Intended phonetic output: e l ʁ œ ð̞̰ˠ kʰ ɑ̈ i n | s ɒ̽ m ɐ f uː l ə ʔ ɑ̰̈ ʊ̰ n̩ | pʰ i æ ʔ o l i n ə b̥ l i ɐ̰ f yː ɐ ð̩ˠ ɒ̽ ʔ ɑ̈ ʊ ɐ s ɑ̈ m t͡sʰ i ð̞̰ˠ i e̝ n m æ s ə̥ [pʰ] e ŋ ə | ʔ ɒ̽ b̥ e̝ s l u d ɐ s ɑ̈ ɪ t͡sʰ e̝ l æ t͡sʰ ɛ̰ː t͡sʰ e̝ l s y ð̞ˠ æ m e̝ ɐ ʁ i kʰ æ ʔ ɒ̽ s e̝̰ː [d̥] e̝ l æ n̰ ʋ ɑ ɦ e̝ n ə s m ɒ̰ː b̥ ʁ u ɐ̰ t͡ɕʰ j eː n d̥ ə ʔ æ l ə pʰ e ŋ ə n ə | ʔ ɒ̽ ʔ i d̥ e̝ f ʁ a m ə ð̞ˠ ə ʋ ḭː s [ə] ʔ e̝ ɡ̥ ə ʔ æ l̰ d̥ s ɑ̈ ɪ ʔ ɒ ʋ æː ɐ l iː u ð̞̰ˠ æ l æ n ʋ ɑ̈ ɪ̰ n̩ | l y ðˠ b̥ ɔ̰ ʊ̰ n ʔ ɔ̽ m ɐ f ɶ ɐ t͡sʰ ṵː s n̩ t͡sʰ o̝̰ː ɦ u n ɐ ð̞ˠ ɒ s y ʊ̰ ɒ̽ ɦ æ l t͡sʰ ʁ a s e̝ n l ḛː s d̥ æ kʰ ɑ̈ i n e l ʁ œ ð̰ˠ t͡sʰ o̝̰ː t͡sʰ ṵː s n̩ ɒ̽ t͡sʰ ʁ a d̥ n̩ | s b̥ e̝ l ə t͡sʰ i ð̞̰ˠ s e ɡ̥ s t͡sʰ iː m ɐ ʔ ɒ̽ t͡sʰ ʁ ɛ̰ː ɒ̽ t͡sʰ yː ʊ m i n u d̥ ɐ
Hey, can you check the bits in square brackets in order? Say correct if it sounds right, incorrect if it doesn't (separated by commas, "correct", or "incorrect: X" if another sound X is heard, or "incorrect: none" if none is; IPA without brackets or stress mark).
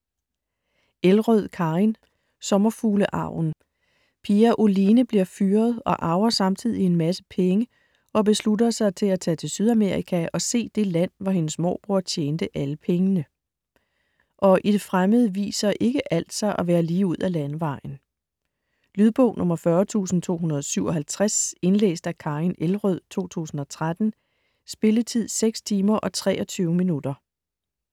correct, correct, incorrect: ɐ